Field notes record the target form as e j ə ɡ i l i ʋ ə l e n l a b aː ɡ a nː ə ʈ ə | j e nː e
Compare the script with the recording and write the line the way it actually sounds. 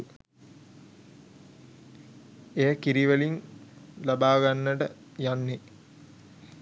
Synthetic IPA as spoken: e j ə k i ɾ i ʋ ə l i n l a b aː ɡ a nː ə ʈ ə | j a nː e